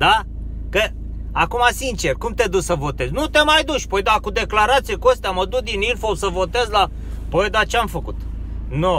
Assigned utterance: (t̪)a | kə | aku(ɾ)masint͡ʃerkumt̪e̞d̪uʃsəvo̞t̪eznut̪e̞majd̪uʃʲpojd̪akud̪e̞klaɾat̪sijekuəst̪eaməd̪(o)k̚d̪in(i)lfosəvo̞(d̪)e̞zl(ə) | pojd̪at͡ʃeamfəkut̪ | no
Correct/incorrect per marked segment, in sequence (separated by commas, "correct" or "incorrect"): incorrect, incorrect, incorrect, correct, incorrect, incorrect